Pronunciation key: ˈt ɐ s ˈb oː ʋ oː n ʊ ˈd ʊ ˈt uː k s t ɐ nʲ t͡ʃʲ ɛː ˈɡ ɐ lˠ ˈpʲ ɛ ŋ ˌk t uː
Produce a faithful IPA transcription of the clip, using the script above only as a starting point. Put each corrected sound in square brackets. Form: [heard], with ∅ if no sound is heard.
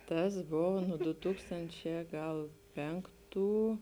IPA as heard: ˈt ɐ s ˈb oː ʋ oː n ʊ ˈd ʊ ˈt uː k s t ɐ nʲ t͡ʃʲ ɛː ˈɡ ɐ lˠ ˈpʲ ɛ ŋ ˌk t uː